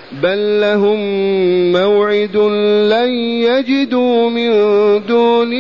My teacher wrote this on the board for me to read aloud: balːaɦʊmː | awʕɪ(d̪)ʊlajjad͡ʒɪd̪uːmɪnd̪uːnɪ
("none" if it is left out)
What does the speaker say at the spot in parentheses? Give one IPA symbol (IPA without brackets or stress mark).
d̪